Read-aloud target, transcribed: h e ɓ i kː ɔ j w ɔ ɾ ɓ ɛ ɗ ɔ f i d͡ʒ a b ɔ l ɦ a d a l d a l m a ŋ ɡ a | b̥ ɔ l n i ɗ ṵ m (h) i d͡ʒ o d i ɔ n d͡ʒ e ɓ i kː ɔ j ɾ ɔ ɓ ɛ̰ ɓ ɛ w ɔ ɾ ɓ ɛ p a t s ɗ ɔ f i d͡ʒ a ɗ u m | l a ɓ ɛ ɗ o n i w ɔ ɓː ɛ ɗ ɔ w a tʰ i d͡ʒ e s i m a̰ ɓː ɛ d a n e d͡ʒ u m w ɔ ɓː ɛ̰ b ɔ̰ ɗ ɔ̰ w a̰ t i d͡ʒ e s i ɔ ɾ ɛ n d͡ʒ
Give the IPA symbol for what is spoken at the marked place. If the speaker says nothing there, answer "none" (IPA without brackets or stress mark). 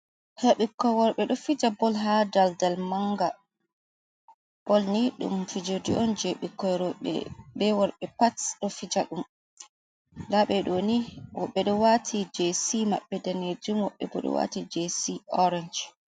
f